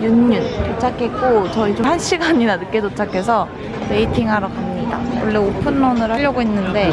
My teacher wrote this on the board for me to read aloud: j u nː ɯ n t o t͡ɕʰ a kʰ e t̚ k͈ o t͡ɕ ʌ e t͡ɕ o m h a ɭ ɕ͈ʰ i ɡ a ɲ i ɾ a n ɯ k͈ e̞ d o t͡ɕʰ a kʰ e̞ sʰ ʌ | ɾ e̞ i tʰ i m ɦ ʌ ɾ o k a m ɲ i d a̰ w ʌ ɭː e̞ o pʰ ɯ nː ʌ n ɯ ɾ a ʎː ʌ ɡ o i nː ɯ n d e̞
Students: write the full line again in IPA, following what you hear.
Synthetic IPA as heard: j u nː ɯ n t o t͡ɕʰ a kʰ e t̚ k͈ o t͡ɕ ʌ i t͡ɕ o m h a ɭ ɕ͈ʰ i ɡ a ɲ i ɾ a n ɯ k͈ e̞ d o t͡ɕʰ a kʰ e̞ sʰ ʌ | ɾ e̞ i tʰ i ŋ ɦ a ɾ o k a m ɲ i d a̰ w ʌ ɭː e̞ o pʰ ɯ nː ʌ n ɯ ɾ a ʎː ʌ ɡ o i nː ɯ n d e̞